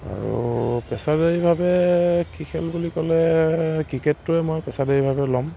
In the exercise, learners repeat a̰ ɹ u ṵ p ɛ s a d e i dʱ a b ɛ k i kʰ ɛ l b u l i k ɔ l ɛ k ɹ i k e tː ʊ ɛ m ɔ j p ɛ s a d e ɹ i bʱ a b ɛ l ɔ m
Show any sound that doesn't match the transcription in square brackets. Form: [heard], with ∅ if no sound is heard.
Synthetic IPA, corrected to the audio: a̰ ɹ u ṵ p ɛ s a d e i [bʱ] a b ɛ k i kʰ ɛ l b u l i k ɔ l ɛ k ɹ i k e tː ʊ ɛ m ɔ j p ɛ s a d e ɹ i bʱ a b ɛ l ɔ m